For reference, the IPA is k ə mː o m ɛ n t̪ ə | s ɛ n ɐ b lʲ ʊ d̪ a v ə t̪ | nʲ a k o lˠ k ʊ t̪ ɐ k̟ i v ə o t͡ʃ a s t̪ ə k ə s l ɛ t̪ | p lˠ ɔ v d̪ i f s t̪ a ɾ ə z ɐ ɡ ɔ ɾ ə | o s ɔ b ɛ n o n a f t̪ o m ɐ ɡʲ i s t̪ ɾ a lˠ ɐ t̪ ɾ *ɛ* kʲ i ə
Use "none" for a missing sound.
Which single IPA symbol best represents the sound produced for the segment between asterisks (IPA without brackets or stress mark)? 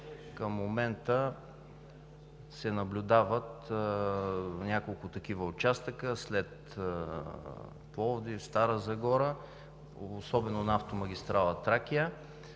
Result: a